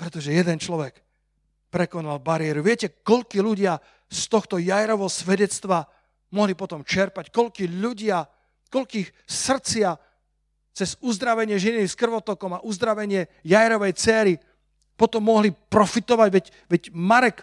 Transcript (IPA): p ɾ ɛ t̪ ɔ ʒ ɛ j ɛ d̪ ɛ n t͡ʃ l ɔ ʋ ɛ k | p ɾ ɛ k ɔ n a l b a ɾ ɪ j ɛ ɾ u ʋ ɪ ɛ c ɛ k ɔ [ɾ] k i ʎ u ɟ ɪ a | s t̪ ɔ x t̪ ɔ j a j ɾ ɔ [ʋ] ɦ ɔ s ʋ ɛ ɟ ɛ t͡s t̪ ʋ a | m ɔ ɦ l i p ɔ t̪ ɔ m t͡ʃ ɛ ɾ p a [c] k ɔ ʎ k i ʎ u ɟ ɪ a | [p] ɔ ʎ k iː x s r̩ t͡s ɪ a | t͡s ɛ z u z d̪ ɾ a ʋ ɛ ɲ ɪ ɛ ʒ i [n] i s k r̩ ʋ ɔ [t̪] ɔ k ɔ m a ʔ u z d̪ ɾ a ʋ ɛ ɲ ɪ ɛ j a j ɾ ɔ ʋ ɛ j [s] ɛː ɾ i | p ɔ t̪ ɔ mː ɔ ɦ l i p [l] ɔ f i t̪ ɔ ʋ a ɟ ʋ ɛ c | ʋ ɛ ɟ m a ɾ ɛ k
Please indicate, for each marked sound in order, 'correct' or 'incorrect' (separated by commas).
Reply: incorrect, correct, correct, incorrect, correct, correct, incorrect, incorrect